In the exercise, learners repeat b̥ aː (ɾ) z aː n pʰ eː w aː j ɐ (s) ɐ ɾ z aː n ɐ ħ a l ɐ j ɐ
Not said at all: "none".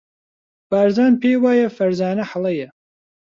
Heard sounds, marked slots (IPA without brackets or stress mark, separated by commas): ɾ, f